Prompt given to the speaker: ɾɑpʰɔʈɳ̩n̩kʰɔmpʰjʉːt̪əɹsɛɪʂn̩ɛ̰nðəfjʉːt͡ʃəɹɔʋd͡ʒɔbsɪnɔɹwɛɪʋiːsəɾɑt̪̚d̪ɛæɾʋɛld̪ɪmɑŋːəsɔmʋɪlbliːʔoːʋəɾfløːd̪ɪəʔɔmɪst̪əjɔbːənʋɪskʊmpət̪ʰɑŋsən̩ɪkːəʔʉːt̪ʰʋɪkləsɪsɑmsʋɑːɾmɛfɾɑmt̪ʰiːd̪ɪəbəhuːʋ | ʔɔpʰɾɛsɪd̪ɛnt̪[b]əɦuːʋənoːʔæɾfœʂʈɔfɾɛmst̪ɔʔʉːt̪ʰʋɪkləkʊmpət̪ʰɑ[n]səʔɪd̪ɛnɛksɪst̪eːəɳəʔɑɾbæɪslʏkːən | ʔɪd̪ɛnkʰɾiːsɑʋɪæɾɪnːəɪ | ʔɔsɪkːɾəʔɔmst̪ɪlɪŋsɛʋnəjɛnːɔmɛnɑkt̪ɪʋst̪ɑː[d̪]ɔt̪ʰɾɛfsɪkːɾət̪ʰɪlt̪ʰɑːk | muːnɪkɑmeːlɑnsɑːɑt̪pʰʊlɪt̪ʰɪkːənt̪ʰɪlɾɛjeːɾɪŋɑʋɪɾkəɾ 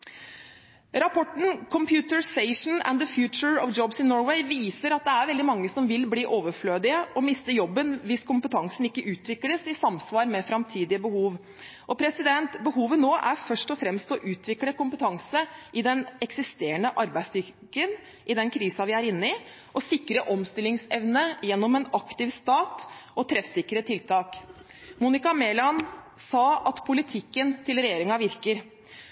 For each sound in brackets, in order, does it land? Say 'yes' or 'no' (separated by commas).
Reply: yes, no, no